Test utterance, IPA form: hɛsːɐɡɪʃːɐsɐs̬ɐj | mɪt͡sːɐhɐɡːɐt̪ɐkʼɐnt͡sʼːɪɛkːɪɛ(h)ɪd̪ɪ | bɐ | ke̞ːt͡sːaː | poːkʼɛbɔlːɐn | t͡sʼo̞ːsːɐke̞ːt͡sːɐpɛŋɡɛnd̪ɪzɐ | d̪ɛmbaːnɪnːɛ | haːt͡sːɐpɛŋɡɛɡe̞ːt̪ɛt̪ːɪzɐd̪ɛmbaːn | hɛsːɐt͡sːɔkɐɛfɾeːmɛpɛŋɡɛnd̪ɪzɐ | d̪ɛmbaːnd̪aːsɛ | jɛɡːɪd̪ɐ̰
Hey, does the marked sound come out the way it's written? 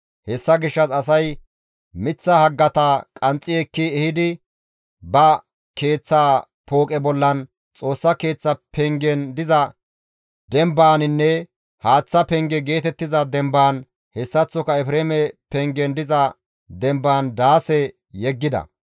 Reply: yes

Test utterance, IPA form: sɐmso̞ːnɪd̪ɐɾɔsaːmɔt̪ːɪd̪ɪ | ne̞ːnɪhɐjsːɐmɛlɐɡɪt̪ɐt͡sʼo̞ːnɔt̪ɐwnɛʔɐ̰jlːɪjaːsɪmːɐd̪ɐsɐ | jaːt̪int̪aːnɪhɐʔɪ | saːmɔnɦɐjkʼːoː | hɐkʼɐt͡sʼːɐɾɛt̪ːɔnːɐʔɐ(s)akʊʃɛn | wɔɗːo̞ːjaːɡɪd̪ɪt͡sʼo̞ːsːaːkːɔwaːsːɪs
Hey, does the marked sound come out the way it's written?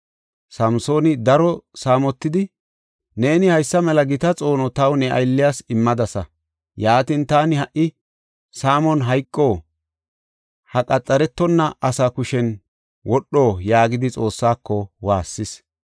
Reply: yes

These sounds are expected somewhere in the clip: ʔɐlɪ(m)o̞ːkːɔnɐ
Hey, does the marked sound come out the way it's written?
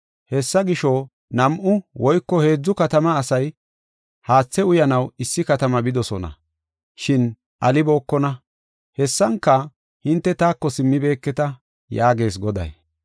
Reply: no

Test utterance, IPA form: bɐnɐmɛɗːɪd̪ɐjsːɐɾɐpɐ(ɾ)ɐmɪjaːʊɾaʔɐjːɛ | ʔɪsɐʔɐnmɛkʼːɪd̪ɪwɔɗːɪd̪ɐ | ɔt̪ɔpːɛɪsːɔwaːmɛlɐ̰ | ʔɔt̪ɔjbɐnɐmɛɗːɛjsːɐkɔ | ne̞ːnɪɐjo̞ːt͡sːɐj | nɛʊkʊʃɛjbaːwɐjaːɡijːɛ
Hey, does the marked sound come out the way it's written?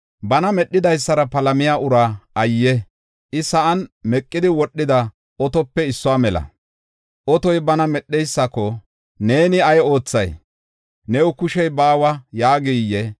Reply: no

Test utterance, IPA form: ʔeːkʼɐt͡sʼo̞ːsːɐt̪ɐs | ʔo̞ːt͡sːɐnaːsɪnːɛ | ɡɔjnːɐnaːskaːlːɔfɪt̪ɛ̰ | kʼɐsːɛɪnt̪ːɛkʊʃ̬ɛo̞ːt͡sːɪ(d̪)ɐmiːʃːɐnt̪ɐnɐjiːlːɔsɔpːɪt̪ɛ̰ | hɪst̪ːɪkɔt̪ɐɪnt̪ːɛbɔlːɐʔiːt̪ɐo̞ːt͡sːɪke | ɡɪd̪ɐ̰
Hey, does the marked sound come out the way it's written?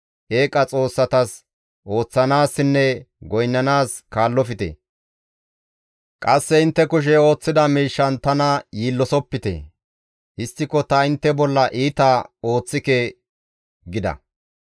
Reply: yes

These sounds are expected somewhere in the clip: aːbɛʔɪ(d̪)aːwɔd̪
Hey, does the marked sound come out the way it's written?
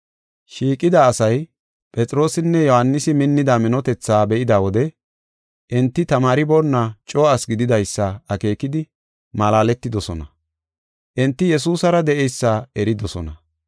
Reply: yes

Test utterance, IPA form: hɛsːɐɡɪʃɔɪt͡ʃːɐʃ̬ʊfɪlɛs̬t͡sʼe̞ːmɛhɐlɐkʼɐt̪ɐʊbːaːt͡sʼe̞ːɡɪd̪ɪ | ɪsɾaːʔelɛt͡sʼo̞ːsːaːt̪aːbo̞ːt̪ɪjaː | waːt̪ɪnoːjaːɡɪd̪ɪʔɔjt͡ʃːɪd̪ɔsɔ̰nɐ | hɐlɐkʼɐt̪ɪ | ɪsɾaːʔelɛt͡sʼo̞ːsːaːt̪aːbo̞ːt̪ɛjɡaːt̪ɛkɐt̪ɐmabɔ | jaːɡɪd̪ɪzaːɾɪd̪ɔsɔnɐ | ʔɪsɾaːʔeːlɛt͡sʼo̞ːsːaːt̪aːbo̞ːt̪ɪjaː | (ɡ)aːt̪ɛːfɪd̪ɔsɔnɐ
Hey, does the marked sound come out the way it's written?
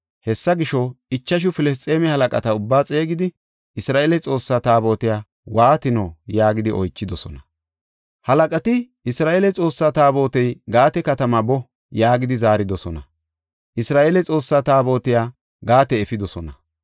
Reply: yes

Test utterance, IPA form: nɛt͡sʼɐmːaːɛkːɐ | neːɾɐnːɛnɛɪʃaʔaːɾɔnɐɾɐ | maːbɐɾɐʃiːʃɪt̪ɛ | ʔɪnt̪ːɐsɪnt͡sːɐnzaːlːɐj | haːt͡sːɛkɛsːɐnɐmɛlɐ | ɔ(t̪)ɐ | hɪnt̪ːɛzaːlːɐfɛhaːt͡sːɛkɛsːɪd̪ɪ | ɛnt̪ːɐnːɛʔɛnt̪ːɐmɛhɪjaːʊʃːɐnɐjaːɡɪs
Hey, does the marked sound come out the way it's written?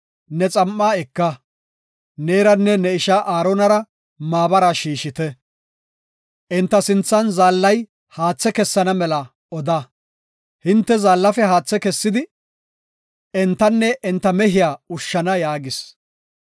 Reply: no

